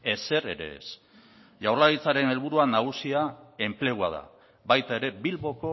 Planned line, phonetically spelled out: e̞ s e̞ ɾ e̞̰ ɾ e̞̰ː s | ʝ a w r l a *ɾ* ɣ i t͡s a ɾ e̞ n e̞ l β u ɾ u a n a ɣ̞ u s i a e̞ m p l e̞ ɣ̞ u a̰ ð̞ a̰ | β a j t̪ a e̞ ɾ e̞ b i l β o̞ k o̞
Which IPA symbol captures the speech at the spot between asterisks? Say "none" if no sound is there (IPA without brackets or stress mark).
none